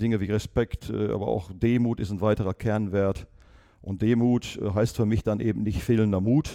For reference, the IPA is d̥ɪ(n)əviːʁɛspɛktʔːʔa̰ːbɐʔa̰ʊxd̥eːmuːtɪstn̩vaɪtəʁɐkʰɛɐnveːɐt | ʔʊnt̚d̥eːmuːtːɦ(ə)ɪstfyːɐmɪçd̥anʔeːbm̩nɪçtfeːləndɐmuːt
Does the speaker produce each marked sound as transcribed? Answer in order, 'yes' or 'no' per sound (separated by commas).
no, no